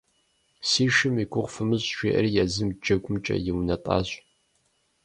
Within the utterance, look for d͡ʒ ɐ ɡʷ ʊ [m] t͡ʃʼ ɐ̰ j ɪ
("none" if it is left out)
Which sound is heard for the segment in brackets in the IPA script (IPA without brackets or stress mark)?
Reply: m